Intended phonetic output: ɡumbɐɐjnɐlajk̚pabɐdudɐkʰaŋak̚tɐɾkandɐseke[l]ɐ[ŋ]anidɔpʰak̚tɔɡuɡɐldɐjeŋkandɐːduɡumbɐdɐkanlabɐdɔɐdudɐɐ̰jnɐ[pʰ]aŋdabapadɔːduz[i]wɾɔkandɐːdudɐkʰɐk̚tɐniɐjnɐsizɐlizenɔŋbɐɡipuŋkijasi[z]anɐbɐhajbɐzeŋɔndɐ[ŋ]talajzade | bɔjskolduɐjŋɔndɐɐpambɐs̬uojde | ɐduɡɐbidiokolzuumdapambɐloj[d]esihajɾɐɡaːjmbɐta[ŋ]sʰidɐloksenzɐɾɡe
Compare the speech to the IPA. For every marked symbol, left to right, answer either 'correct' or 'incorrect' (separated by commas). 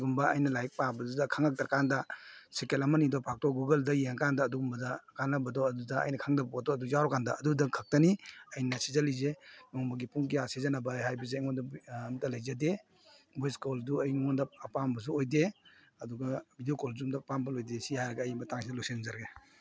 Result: correct, incorrect, incorrect, incorrect, correct, incorrect, correct, correct